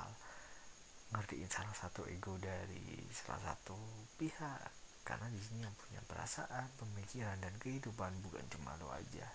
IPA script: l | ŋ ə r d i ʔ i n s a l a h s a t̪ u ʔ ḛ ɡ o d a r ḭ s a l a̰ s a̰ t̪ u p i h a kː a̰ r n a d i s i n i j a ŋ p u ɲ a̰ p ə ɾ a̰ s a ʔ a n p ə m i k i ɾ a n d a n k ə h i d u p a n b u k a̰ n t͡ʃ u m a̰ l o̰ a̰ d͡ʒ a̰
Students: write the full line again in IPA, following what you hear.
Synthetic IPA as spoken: l | ŋ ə r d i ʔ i n s a l a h s a t̪ u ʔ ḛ ɡ o d a ɾ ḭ s a l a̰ s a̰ t̪ u p i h a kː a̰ r n a d i s i n i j a ŋ p u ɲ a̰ p ə ɾ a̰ s a ʔ a n p ə m i k i ɾ a n d a n k ə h i d u p a n b u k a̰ n t͡ʃ u m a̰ l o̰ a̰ d͡ʒ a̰